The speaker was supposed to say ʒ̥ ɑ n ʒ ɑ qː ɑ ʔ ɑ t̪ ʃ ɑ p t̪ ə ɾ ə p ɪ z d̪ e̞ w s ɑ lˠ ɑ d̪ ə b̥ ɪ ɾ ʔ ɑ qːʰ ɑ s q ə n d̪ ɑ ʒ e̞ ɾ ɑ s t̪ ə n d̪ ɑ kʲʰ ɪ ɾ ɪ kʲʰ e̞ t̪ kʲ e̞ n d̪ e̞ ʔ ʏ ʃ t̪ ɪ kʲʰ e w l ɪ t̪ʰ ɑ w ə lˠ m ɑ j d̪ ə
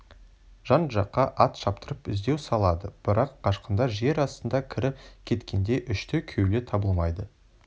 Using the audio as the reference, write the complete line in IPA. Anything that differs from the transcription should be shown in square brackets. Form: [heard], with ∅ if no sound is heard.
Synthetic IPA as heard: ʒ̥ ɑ n ʒ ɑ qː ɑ ʔ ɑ t̪ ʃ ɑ p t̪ ə ɾ ə p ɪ z d̪ e̞ w s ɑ lˠ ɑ d̪ ə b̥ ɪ ɾ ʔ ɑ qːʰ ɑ [ʃ] q ə n d̪ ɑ ʒ e̞ ɾ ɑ s t̪ ə n d̪ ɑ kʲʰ ɪ ɾ ɪ kʲʰ e̞ t̪ kʲ e̞ n d̪ e̞ ʔ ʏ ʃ t̪ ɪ kʲʰ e w l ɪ t̪ʰ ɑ [b] ə lˠ m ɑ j d̪ ə